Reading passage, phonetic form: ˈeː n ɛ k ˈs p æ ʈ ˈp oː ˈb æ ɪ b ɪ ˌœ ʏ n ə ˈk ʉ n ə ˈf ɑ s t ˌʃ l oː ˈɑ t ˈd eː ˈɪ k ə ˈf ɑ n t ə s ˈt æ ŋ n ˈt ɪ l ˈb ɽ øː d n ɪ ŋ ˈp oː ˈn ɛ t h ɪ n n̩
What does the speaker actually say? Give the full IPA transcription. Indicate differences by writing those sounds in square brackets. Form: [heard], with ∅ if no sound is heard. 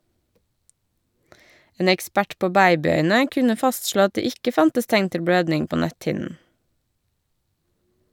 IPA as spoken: ˈeː n ɛ k ˈs p æ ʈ ˈp oː ˈb æ ɪ b ɪ ˌœ ʏ n ə ˈk ʉ n ə ˈf ɑ s t ˌʃ l oː ˈɑ t ˈd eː ˈɪ k ə ˈf ɑ n t ə s ˈt æ ŋ n ˈt ɪ l ˈb ɽ øː d n ɪ ŋ ˈp oː ˈn [æ] t h ɪ n n̩